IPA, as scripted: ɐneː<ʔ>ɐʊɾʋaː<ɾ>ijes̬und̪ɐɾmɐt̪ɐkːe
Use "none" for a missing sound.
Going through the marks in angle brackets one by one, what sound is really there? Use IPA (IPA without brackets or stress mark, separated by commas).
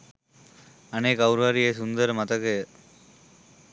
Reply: k, ɾ